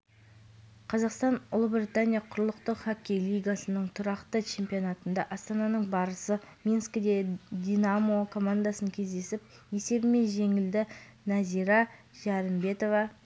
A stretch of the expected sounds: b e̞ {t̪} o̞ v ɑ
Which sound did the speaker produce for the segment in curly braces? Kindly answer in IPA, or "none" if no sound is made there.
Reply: t̪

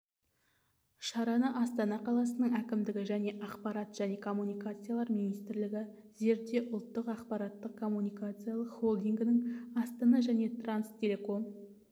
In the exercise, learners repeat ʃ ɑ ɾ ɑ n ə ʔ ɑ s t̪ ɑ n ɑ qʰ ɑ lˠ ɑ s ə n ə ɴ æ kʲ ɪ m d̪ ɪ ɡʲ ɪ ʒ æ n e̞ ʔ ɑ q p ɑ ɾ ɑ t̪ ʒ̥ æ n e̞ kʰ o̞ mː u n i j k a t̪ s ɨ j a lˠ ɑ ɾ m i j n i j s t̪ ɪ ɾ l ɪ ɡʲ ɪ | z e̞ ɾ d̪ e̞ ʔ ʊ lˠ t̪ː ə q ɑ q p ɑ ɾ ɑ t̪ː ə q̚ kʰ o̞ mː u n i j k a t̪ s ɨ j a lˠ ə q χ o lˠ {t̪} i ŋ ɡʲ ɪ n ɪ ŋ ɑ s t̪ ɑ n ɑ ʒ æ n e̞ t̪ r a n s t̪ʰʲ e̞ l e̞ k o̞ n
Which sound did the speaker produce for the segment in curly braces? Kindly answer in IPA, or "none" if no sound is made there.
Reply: d̪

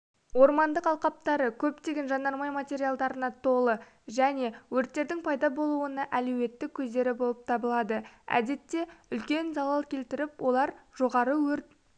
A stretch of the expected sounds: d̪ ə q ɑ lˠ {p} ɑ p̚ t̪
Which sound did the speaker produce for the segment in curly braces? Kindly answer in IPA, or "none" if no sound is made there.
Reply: q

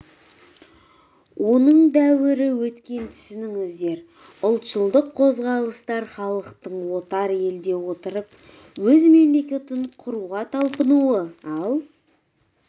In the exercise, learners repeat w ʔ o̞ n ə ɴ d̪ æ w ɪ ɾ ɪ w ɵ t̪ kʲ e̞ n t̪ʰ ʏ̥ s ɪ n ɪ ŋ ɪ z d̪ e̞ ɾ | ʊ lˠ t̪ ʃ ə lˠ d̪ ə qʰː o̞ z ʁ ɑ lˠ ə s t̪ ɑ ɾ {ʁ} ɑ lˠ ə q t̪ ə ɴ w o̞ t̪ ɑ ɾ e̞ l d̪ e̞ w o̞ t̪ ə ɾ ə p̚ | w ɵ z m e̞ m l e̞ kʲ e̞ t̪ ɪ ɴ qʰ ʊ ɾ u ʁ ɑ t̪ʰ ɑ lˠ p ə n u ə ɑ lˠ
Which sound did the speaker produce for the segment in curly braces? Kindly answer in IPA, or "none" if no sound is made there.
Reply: χ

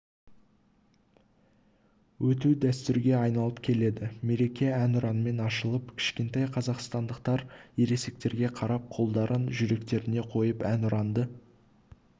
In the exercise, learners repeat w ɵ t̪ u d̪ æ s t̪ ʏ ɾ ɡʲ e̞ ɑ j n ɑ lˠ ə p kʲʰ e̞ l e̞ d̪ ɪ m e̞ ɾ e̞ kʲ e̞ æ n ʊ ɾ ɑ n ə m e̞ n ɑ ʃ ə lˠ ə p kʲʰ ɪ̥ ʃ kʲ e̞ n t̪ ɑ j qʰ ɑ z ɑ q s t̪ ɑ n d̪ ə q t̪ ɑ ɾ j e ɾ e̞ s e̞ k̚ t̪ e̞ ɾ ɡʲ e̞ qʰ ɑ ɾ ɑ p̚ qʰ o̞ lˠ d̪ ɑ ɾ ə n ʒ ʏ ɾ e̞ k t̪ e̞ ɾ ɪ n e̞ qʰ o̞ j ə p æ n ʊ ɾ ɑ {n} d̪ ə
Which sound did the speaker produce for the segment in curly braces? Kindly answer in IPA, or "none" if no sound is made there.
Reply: n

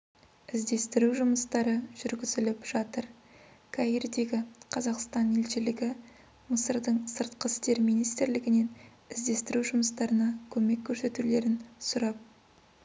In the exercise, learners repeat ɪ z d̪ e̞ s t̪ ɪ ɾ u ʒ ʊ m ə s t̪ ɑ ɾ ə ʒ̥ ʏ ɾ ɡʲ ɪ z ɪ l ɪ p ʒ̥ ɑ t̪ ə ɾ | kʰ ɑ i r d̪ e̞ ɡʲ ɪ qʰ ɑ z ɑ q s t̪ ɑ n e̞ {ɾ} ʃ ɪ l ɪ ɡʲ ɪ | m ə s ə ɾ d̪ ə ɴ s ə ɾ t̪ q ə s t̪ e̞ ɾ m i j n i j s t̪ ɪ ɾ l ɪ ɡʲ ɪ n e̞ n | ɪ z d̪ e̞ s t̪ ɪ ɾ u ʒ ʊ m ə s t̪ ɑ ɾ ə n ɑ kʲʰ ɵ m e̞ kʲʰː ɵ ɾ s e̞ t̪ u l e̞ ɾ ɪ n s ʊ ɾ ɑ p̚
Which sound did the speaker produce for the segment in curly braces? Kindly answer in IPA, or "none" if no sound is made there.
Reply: l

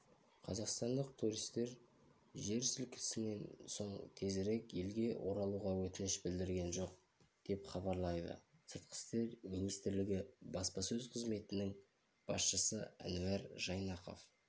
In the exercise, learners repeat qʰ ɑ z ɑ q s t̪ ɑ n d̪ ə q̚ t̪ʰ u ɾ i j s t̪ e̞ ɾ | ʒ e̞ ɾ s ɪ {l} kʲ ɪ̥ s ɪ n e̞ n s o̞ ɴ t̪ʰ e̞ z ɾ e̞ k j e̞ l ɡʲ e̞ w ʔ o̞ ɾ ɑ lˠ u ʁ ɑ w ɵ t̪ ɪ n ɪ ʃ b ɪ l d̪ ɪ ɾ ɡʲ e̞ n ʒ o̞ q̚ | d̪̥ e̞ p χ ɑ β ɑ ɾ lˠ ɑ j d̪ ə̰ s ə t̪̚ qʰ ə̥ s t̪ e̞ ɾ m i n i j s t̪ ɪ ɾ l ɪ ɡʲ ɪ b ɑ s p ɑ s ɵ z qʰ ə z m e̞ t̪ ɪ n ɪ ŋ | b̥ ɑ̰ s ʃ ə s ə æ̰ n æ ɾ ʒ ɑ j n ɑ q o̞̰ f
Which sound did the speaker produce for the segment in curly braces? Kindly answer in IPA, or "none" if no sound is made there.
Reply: l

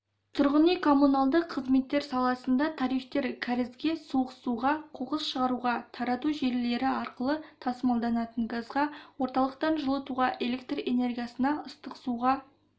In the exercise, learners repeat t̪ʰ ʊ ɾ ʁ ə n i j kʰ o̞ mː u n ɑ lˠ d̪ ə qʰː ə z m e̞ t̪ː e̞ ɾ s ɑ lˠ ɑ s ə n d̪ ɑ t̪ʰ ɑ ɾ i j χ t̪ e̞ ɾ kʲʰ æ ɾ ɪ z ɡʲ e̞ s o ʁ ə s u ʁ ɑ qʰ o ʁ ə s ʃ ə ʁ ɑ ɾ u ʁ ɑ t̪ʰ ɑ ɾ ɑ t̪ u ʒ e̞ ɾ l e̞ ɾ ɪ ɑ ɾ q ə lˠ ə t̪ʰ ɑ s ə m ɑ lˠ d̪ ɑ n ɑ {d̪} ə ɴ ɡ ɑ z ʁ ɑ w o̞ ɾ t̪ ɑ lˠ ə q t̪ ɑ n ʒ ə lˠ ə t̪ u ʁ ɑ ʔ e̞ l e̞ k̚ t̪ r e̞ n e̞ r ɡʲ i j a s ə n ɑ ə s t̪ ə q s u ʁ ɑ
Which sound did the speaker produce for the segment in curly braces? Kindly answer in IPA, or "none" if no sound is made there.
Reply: t̪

